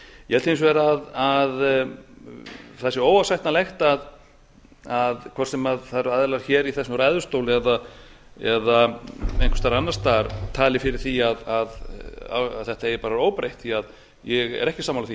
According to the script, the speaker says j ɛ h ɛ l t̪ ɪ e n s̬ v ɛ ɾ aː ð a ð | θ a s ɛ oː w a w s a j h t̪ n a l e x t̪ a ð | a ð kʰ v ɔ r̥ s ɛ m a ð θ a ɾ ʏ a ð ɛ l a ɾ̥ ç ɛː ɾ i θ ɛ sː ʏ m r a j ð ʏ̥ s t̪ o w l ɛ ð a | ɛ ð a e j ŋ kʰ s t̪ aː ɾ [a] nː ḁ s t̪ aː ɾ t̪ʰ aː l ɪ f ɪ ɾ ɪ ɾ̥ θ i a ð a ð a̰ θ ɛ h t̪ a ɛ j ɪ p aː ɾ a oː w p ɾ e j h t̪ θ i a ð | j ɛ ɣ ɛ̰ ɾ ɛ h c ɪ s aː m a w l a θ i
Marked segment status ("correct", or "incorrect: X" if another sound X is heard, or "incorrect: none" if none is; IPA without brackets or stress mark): correct